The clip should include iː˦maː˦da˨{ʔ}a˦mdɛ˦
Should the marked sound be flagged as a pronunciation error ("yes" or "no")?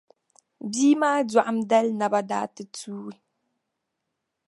no